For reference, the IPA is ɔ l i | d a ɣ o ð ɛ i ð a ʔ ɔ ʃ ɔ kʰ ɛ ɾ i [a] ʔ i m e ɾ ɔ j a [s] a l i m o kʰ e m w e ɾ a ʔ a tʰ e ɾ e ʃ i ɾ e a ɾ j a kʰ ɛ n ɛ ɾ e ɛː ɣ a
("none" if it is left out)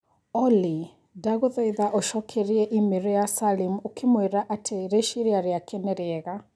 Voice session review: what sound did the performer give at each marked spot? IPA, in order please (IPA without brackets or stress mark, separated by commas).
ɛ, s